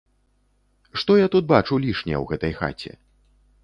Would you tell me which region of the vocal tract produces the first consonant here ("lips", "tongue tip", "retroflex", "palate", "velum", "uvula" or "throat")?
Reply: retroflex